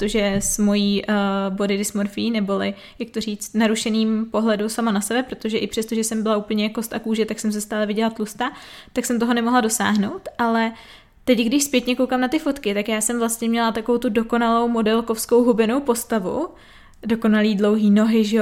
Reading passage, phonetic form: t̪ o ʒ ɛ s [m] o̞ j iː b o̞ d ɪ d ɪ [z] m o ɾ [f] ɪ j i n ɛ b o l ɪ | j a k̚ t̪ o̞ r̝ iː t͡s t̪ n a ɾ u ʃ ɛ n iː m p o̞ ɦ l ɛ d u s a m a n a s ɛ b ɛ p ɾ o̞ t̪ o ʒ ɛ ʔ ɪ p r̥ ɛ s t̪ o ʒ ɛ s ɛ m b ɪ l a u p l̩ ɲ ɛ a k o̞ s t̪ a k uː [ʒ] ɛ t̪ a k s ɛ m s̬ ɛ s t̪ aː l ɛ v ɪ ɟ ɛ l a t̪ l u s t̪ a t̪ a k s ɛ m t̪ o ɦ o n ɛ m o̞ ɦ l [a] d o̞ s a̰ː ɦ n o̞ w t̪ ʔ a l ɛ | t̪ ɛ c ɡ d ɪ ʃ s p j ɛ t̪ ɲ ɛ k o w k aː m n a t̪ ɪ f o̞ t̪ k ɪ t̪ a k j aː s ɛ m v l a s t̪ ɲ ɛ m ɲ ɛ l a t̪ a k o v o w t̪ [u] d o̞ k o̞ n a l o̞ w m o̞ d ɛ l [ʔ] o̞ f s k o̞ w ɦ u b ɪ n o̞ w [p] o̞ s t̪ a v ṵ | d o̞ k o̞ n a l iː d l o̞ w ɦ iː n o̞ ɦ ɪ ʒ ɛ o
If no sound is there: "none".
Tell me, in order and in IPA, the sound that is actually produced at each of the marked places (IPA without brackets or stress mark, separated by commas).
m, s, f, ʒ, a, u, k, p